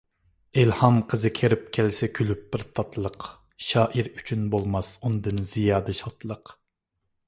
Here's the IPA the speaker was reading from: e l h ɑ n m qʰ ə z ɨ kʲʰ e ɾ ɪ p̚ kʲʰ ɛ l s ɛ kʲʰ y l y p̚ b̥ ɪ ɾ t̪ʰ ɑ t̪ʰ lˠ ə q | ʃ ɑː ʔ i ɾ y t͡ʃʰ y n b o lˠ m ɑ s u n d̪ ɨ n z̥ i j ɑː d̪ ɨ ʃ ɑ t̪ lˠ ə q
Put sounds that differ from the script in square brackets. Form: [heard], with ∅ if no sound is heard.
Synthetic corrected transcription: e l h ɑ [∅] m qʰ ə z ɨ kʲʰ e ɾ ɪ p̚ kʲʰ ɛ l s ɛ kʲʰ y l y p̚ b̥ ɪ ɾ t̪ʰ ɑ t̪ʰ lˠ ə q | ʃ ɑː ʔ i ɾ y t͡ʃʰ y n b o lˠ m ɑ s u n d̪ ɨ n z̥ i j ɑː d̪ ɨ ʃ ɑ t̪ lˠ ə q